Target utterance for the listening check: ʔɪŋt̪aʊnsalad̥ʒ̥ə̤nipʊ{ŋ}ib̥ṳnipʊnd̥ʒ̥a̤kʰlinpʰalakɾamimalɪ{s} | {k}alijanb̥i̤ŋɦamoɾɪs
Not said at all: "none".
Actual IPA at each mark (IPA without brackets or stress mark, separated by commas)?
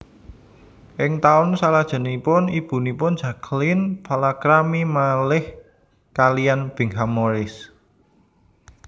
n, h, k